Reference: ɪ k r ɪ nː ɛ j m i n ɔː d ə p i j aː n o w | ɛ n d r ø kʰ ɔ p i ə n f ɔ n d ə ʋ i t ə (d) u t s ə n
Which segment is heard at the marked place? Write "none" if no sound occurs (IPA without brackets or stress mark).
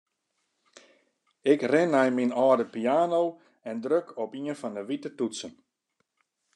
t